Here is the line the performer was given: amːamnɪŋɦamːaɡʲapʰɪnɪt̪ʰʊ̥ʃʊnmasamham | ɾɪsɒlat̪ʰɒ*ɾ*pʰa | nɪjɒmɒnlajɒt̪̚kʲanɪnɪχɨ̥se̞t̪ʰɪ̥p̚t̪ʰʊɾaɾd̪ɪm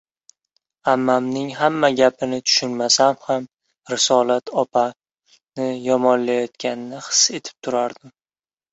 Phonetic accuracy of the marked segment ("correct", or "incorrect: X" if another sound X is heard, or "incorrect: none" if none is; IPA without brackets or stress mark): incorrect: none